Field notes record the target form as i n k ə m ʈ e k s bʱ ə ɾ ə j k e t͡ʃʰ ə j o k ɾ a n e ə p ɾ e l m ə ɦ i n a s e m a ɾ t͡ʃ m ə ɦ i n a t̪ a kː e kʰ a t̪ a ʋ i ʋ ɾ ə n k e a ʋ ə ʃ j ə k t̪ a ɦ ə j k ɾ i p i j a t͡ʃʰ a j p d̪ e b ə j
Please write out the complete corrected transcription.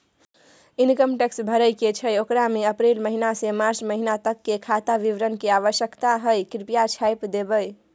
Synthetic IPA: i n k ə m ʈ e k s bʱ ə ɾ ə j k e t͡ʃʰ ə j o k ɾ a m e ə p ɾ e l m ə ɦ i n a s e m a ɾ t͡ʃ m ə ɦ i n a t̪ ə kː e kʰ a t̪ a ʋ i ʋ ɾ ə n k e a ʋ ə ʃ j ə k t̪ a ɦ ə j k ɾ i p i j a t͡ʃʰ a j p d̪ e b ə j

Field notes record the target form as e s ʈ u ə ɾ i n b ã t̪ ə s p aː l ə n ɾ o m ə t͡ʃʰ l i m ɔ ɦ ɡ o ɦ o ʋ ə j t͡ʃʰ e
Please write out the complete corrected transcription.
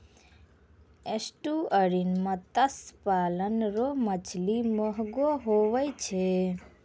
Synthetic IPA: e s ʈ u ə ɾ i n m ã t̪ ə s p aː l ə n ɾ o m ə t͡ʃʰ l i m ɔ ɦ ɡ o ɦ o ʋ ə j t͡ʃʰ e

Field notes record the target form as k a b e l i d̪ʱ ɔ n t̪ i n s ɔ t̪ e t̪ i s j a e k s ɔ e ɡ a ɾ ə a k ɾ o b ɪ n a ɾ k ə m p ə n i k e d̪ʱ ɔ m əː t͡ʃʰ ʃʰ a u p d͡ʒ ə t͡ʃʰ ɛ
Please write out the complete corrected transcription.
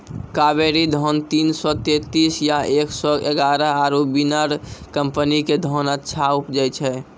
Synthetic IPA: k a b e ɾ i d̪ʱ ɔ n t̪ i n s ɔ t̪ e t̪ i s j a e k s ɔ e ɡ a ɾ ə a ɾ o b i n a ɾ k ə m p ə n i k e d̪ʱ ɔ n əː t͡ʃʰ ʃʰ a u p d͡ʒ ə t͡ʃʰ ɛ

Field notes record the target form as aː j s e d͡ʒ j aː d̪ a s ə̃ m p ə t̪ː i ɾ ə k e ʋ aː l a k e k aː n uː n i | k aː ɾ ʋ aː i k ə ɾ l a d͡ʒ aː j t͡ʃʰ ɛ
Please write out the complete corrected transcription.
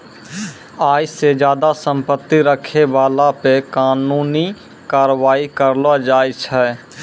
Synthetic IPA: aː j s e d͡ʒ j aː d̪ a s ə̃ m p ə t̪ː i ɾ ə kʰ e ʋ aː l a p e k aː n uː n i | k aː ɾ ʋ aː i k ə ɾ l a d͡ʒ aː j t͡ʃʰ ɛ

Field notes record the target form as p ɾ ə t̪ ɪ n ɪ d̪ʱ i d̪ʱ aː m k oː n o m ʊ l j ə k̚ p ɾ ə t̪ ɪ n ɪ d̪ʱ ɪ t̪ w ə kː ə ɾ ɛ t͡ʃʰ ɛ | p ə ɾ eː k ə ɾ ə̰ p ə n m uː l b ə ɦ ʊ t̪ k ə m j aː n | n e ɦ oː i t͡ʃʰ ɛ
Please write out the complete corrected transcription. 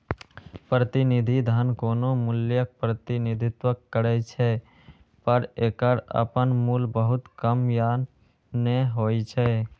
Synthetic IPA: p ɾ ə t̪ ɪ n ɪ d̪ʱ i d̪ʱ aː n k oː n o m ʊ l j ə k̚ p ɾ ə t̪ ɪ n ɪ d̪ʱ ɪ t̪ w ə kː ə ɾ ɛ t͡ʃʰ ɛ | p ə ɾ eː k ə ɾ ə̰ p ə n m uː l b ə ɦ ʊ t̪ k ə m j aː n | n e ɦ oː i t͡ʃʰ ɛ

